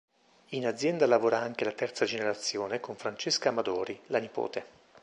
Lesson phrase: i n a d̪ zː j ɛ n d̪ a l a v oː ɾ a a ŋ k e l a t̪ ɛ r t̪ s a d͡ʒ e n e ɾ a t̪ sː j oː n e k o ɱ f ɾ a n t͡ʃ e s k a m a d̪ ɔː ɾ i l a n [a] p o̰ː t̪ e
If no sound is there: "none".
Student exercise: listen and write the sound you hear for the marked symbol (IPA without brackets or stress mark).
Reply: i